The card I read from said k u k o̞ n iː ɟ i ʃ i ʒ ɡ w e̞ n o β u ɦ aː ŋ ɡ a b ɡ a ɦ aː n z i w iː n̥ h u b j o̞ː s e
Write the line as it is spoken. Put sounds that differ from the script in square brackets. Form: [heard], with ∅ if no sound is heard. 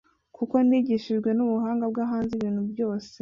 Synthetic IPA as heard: k u k o̞ n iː ɟ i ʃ i ʒ ɡ w e̞ n [u] β u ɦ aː ŋ ɡ a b ɡ a ɦ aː n z i [β] iː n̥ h u b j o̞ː s e